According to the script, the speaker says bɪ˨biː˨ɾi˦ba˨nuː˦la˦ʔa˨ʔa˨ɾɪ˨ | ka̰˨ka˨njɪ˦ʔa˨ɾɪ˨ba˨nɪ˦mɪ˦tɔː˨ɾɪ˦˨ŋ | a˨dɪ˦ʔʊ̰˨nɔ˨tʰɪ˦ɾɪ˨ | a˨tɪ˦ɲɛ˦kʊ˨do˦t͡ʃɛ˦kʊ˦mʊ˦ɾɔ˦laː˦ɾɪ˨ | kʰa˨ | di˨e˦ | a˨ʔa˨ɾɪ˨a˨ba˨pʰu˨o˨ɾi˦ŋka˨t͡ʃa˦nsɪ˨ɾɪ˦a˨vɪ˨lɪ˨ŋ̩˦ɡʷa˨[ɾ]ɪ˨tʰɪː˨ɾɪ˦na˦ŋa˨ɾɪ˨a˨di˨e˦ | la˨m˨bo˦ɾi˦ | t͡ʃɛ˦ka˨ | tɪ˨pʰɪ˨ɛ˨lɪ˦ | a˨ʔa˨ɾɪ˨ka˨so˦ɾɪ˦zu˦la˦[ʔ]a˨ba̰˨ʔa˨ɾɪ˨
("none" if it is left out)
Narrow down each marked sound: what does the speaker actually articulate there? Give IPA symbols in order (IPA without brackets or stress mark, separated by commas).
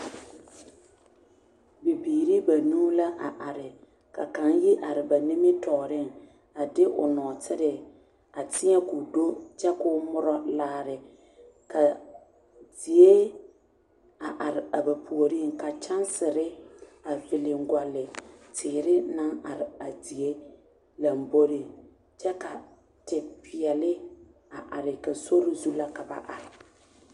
l, k